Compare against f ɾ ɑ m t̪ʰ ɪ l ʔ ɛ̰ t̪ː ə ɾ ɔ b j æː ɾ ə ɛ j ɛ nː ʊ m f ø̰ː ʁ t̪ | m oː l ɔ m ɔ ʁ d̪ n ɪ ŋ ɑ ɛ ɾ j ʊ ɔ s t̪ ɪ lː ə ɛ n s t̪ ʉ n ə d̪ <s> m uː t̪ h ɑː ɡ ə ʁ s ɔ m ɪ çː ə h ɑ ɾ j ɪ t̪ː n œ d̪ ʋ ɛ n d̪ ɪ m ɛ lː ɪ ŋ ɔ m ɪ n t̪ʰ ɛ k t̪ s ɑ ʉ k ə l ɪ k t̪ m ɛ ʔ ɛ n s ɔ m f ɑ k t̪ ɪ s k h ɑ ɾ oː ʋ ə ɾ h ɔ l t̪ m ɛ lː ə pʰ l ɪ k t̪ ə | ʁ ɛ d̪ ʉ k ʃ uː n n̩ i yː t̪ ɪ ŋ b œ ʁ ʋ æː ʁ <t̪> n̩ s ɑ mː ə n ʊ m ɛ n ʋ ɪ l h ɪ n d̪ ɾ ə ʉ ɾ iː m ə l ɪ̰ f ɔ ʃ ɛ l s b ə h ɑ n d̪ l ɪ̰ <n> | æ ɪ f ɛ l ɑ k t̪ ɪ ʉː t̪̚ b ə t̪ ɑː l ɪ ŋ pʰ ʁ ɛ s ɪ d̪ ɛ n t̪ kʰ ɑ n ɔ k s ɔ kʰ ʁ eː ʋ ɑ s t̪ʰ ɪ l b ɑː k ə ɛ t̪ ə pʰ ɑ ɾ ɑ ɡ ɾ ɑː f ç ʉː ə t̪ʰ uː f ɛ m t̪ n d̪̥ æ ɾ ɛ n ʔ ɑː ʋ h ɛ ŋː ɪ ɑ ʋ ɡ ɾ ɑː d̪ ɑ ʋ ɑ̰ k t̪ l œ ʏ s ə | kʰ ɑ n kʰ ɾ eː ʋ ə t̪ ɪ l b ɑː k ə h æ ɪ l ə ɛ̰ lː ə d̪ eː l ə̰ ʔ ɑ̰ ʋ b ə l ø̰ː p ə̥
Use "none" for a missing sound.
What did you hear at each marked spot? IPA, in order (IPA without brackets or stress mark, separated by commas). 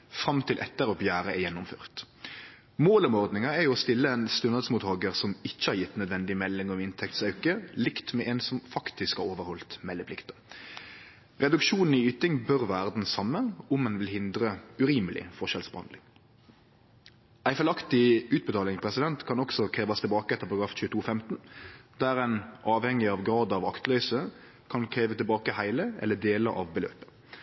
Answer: s, d̪, ŋ